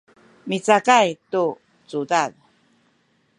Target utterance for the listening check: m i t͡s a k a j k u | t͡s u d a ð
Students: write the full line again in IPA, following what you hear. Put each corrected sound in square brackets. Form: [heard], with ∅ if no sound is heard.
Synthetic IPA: m i t͡s a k a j [t] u | t͡s u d a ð